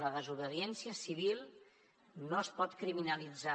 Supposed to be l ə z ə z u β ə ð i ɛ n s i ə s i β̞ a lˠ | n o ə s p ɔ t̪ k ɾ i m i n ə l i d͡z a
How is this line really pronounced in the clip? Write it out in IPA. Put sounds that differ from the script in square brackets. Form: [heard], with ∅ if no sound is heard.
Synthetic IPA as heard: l ə [ð] ə z u β ə ð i ɛ n s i ə s i β̞ [i] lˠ | n o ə s p ɔ t̪ k ɾ i m i n ə l i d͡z a